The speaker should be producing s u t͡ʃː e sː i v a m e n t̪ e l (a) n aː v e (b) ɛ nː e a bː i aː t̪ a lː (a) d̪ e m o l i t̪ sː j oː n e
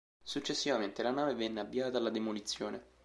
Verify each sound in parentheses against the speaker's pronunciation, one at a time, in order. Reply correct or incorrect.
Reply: correct, incorrect: v, correct

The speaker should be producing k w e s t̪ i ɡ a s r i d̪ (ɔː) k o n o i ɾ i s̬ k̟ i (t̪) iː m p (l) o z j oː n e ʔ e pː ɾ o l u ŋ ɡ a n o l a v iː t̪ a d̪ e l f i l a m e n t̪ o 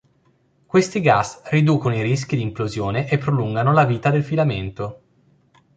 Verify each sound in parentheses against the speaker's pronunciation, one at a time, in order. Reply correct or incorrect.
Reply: incorrect: uː, incorrect: d̪, correct

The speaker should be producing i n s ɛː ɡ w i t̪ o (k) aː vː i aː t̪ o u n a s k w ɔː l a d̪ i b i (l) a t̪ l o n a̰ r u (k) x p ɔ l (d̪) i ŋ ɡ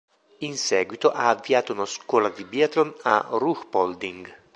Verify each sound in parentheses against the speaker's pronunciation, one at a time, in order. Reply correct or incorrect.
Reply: incorrect: ʔ, incorrect: none, incorrect: none, correct

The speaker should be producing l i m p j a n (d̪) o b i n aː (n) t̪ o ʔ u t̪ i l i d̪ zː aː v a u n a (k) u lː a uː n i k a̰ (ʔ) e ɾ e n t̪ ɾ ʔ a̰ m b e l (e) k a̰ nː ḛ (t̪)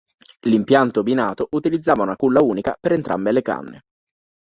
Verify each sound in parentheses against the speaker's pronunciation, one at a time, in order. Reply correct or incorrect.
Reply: incorrect: t̪, incorrect: none, correct, incorrect: p, correct, incorrect: none

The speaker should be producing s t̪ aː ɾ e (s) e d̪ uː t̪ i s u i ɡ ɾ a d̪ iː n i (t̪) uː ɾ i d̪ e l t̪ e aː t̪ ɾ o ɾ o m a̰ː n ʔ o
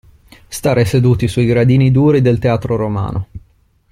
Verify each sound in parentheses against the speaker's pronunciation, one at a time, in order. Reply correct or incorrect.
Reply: correct, incorrect: d̪

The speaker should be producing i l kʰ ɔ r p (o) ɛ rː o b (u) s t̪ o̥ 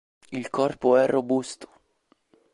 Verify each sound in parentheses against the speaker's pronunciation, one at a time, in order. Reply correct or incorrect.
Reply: correct, correct

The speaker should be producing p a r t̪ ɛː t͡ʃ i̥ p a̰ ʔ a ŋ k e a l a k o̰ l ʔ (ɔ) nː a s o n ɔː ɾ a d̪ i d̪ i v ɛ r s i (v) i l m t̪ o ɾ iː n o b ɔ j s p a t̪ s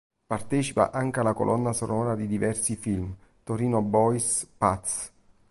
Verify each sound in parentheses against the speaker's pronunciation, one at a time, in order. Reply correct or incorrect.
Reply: correct, incorrect: f

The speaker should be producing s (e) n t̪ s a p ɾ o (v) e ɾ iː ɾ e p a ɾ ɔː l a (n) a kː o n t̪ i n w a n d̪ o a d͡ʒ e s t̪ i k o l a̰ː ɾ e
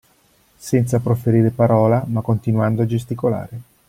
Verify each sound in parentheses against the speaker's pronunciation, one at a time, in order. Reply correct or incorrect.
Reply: incorrect: ɛ, incorrect: f, incorrect: m

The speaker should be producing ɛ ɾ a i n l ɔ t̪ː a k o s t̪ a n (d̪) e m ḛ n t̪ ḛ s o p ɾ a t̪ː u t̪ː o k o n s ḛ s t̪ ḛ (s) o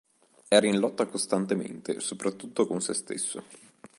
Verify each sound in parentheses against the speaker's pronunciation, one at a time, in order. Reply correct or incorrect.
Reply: incorrect: t̪, incorrect: sː

